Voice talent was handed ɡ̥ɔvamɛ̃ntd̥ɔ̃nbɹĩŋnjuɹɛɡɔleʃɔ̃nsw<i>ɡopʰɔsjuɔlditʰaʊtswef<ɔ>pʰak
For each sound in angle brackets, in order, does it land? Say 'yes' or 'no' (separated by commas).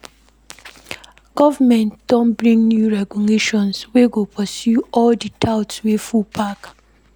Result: no, no